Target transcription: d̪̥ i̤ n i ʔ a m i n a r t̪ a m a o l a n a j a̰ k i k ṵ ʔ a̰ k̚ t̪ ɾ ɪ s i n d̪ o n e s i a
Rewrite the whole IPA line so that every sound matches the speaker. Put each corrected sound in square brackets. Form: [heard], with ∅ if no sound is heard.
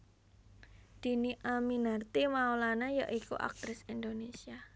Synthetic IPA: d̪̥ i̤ n i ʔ a m i n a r t̪ [i] m a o l a n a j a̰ [ʔ] i k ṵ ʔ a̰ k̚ t̪ ɾ ɪ s i n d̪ o n e s i a